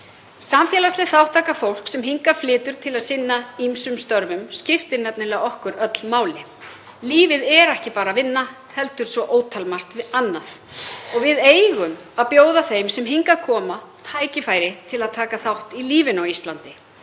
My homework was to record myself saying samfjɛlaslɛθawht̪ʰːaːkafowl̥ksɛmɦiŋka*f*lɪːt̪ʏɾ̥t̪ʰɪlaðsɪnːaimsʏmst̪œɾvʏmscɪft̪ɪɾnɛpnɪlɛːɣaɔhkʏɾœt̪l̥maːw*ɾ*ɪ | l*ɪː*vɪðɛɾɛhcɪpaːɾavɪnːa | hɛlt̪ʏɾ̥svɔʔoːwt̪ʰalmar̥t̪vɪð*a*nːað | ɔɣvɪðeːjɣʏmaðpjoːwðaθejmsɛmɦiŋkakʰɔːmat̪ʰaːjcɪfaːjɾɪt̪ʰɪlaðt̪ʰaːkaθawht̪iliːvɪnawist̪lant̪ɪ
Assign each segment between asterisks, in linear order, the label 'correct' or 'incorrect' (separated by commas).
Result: correct, incorrect, incorrect, correct